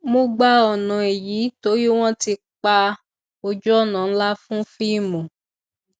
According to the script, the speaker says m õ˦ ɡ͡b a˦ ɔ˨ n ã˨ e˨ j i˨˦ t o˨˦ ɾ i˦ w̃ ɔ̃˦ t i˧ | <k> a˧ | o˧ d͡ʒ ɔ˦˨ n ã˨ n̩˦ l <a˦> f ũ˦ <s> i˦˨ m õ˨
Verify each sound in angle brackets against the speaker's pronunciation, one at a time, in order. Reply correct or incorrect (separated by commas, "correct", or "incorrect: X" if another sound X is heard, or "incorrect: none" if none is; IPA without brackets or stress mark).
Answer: incorrect: k͡p, correct, incorrect: f